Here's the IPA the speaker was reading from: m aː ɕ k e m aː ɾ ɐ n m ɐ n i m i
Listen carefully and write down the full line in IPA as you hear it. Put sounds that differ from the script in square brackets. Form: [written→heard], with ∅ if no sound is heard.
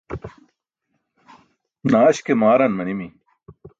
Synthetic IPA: [m→n] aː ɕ k e m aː ɾ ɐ n m ɐ n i m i